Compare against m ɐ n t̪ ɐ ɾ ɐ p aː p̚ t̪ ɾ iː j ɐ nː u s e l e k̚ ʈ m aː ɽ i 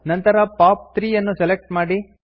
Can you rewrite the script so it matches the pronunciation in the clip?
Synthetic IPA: n ɐ n t̪ ɐ ɾ ɐ p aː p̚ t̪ ɾ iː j ɐ nː u s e l e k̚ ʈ m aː ɽ i